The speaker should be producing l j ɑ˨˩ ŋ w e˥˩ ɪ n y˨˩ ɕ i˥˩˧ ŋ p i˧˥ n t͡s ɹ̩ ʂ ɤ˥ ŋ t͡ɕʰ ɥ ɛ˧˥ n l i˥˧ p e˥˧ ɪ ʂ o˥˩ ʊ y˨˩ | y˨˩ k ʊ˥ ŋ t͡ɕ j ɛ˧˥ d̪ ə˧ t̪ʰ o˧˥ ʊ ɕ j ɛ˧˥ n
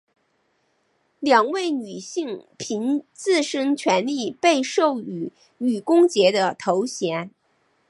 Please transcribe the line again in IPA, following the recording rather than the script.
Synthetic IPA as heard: l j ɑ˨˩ ŋ w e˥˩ ɪ n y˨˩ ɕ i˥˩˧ ŋ pʰ i˧˥ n t͡s ɹ̩ ʂ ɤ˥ ŋ t͡ɕʰ ɥ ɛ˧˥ n l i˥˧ p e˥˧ ɪ ʂ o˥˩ ʊ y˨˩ | y˨˩ k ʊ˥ ŋ t͡ɕ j ɛ˧˥ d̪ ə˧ t̪ʰ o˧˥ ʊ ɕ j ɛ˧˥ n

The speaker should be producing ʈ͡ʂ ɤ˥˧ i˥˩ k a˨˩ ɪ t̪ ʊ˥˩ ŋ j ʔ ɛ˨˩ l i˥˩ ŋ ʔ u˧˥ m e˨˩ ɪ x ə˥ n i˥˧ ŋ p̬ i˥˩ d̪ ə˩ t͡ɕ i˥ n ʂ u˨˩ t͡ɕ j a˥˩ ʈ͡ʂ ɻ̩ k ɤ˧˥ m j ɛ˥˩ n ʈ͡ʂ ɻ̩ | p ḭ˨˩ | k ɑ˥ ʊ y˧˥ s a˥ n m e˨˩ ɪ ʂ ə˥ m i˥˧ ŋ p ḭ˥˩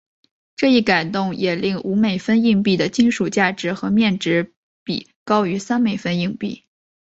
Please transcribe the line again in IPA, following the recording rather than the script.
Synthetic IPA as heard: ʈ͡ʂ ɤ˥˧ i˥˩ k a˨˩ ɪ t̪ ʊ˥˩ ŋ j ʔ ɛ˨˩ l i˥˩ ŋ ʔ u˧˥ m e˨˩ ɪ f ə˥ n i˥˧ ŋ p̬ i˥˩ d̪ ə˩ t͡ɕ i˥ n ʂ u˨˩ t͡ɕ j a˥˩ ʈ͡ʂ ɻ̩ x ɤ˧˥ m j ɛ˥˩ n ʈ͡ʂ ɻ̩ | p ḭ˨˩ | k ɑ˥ ʊ y˧˥ s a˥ n m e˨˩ ɪ f ə˥ n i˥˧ ŋ p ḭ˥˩

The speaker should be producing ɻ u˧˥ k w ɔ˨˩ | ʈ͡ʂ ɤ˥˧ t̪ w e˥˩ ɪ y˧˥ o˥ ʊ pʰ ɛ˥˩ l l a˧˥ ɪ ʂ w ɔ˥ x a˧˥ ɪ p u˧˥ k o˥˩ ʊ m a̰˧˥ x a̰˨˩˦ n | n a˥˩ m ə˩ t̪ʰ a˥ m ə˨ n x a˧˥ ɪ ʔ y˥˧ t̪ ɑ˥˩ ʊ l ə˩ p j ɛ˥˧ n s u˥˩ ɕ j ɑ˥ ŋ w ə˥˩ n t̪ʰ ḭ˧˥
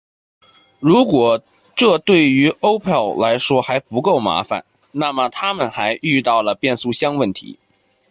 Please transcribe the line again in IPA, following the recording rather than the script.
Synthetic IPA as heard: ɻ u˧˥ k w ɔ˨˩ | ʈ͡ʂ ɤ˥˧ t̪ w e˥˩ ɪ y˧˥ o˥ ʊ pʰ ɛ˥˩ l l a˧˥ ɪ ʂ w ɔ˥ x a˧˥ ɪ p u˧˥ k o˥˩ ʊ m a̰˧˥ f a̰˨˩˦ n | n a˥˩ m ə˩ t̪ʰ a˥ m ə˨ n x a˧˥ ɪ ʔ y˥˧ t̪ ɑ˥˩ ʊ l ə˩ p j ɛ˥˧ n s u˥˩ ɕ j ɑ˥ ŋ w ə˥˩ n t̪ʰ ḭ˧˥

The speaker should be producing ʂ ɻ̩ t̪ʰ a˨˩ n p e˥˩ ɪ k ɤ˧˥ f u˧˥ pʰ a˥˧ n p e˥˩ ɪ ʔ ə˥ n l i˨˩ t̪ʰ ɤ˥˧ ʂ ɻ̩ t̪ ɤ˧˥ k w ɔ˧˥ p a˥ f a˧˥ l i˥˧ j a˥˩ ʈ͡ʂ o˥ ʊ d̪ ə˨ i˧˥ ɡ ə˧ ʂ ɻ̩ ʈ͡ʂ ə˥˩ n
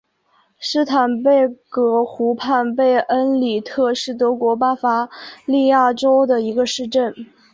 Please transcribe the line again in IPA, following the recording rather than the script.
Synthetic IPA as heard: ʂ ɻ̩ t̪ʰ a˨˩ n p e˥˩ ɪ k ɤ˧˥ x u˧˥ pʰ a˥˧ n p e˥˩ ɪ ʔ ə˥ n l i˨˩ t̪ʰ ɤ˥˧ ʂ ɻ̩ t̪ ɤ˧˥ k w ɔ˧˥ p a˥ f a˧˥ l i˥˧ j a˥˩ ʈ͡ʂ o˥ ʊ d̪ ə˨ i˧˥ ɡ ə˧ ʂ ɻ̩ ʈ͡ʂ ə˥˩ n

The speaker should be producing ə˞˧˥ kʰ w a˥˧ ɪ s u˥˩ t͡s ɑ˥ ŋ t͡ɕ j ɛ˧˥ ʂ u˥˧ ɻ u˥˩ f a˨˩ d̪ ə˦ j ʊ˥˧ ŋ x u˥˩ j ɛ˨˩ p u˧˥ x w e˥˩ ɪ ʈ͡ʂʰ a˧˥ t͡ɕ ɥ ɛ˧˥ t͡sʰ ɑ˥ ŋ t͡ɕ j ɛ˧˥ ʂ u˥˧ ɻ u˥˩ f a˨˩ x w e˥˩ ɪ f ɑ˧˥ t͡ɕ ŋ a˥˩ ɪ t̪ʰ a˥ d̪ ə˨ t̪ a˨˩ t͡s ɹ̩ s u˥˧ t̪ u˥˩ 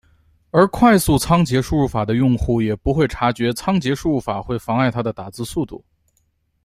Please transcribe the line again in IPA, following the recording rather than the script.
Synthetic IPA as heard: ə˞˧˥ kʰ w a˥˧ ɪ s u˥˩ t͡sʰ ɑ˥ ŋ t͡ɕ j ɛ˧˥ ʂ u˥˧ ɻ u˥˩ f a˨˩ d̪ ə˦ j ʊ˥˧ ŋ x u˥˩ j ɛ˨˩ p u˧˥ x w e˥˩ ɪ ʈ͡ʂʰ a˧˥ t͡ɕ ɥ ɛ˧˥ t͡sʰ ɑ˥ ŋ t͡ɕ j ɛ˧˥ ʂ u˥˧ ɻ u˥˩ f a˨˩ x w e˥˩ ɪ f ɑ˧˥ ŋ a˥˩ ɪ t̪ʰ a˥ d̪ ə˨ t̪ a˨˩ t͡s ɹ̩ s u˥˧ t̪ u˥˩

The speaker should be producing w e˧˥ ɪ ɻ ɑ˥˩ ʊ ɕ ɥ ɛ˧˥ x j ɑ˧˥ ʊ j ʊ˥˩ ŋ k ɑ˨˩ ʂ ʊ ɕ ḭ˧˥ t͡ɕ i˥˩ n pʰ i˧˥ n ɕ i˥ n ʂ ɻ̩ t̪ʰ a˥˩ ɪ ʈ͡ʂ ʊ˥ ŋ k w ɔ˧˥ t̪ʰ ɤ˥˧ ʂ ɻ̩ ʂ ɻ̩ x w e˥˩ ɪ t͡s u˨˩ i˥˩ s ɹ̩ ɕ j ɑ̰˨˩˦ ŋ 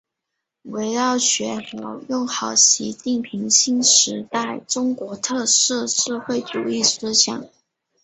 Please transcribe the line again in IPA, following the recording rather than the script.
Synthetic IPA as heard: w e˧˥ ɪ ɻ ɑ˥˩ ʊ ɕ ɥ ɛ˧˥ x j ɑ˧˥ ʊ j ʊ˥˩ ŋ x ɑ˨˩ ʊ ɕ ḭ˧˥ t͡ɕ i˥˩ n pʰ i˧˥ ŋ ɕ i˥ n ʂ ɻ̩ t̪ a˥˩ ɪ ʈ͡ʂ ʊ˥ ŋ k w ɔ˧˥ t̪ʰ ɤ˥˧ ʂ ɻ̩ ʂ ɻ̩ x w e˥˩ ɪ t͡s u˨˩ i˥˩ s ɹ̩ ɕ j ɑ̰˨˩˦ ŋ

